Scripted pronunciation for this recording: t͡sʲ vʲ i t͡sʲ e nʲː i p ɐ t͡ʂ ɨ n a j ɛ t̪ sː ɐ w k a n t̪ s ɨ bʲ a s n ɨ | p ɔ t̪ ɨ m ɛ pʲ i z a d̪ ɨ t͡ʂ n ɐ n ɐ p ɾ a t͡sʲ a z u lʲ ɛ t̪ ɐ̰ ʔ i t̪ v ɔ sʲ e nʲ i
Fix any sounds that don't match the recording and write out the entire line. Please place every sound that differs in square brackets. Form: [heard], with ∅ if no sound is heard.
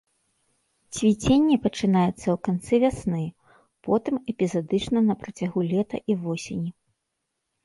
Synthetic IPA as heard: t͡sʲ vʲ i t͡sʲ e nʲː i p ɐ t͡ʂ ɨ n a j ɛ t̪ sː ɐ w k a n t̪ s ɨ [vʲ] a s n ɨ | p ɔ t̪ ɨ m ɛ pʲ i z a d̪ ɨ t͡ʂ n ɐ n ɐ p ɾ [ɐ] t͡sʲ a [ɣ] u lʲ ɛ t̪ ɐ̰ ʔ i [∅] v ɔ sʲ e nʲ i